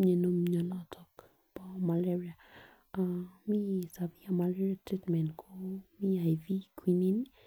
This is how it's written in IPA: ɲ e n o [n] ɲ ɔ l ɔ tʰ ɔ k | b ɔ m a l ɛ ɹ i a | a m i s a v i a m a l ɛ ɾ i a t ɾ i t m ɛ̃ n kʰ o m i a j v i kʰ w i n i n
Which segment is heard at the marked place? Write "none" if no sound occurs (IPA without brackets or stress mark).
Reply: m